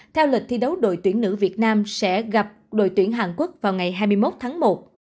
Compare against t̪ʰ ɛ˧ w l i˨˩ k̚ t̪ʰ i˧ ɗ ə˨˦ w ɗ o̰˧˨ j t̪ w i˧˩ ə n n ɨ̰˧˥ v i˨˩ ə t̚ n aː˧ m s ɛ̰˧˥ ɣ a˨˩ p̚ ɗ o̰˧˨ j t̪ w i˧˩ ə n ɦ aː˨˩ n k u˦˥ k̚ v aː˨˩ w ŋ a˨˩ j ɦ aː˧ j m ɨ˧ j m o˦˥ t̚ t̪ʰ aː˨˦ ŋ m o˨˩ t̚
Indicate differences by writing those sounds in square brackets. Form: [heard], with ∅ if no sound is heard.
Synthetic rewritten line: t̪ʰ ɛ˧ w l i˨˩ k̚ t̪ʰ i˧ ɗ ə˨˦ w ɗ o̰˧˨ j t̪ w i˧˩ ə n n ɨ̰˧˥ v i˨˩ ə t̚ n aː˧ m s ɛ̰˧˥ ɣ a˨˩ p̚ ɗ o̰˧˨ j t̪ w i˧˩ ə n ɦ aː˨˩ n k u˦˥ k̚ v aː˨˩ w ŋ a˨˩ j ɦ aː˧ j m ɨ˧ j m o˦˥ t̚ t̪ʰ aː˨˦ ŋ m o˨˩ t̚